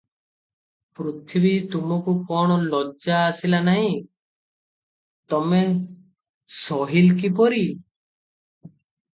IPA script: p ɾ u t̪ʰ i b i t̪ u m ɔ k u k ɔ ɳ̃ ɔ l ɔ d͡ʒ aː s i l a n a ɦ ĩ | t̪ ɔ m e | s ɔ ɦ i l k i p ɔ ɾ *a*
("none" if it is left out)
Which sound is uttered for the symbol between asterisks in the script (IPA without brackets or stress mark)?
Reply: i